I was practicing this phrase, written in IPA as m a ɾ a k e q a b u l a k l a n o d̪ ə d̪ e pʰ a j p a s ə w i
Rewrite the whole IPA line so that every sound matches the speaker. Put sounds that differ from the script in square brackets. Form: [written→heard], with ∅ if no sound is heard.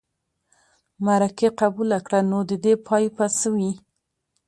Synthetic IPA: m a ɾ a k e q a b u l a k [l→ɽ] a n o d̪ ə d̪ e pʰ [a→ɑ] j p a s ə w i